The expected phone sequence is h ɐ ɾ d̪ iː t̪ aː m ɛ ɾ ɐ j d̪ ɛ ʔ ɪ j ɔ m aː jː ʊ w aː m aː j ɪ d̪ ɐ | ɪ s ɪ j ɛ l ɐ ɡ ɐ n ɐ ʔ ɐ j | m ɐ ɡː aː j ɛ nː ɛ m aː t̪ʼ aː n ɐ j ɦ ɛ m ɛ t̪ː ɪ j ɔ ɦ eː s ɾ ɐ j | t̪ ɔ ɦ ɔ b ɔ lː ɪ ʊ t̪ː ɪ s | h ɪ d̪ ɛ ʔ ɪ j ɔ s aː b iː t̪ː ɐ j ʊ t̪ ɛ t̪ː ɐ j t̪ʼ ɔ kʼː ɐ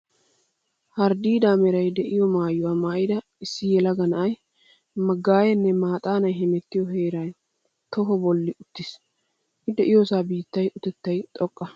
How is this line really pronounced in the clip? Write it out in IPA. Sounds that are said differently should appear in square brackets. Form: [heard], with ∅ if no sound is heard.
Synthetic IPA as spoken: h ɐ ɾ d̪ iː [d̪] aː m ɛ ɾ ɐ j d̪ ɛ ʔ ɪ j ɔ m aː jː ʊ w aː m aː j ɪ d̪ ɐ | ɪ [sː] ɪ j ɛ l ɐ ɡ ɐ n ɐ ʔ ɐ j | m ɐ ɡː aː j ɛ nː ɛ m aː t̪ʼ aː n ɐ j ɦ ɛ m ɛ t̪ː ɪ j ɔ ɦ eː [∅] ɾ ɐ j | t̪ ɔ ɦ ɔ b ɔ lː ɪ ʊ t̪ː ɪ s | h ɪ d̪ ɛ ʔ ɪ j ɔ s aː b iː t̪ː ɐ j ʊ t̪ ɛ t̪ː ɐ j t̪ʼ ɔ kʼː ɐ